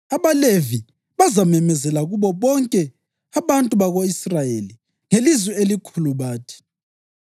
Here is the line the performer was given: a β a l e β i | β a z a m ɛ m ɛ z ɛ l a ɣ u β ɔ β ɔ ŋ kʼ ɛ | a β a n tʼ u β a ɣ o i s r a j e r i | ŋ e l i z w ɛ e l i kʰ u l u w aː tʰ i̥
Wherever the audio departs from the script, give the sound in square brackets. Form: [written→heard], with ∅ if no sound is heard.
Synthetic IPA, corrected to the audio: a β a l e [β→v] i | β a z a m ɛ m ɛ z ɛ l a ɣ u β ɔ β ɔ ŋ kʼ ɛ | a β a n tʼ u β a ɣ o i s r a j e [r→l] i | ŋ e l i z w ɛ e l i kʰ u l u [w→β] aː tʰ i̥